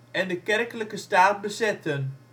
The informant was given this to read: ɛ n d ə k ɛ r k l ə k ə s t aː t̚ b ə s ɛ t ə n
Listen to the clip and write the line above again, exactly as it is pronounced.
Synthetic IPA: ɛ n d ə k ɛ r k l ə k ə s t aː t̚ b ə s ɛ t ə n